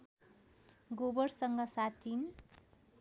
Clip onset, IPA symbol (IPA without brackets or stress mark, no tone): ɡ